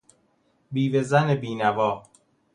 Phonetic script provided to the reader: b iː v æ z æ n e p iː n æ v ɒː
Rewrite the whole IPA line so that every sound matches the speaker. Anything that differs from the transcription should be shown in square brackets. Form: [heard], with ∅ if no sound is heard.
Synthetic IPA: b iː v [e] z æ n e [b] iː n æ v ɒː